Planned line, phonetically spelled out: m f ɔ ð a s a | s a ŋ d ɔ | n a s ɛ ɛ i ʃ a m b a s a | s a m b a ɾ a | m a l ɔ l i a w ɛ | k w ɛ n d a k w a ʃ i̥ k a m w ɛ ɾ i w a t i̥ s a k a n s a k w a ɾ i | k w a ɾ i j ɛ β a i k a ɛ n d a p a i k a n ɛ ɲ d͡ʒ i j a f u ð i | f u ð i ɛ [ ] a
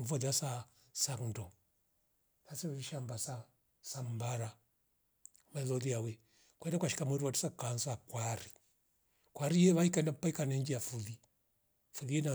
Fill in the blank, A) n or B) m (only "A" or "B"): A